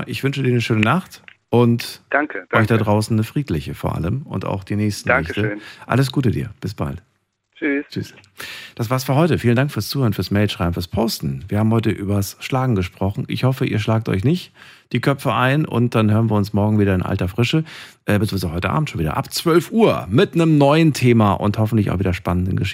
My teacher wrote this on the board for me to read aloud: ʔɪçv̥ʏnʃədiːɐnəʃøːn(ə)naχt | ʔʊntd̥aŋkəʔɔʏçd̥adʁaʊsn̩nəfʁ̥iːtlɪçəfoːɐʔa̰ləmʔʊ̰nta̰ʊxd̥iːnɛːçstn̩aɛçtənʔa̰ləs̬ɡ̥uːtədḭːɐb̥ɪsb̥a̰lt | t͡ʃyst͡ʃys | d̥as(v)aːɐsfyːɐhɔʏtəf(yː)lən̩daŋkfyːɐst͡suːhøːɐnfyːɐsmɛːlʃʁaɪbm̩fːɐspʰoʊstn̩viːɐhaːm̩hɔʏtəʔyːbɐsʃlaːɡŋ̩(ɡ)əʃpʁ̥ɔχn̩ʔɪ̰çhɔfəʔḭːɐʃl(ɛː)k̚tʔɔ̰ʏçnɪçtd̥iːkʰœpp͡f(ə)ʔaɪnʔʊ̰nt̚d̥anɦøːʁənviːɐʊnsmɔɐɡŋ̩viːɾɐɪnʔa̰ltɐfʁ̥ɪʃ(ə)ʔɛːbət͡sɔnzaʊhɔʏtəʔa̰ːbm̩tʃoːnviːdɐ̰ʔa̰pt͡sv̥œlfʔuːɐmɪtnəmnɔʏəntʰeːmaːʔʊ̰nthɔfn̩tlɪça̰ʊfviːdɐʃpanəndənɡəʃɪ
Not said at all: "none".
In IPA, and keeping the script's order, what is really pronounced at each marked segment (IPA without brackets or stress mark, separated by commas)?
ə, v, iː, ɡ, aː, ə, ə